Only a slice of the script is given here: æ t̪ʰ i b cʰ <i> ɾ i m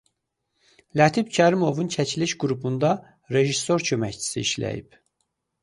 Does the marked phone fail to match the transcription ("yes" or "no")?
yes